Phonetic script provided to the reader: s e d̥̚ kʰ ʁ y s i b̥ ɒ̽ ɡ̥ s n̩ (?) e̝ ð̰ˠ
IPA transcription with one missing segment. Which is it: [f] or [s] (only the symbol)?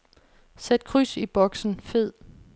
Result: f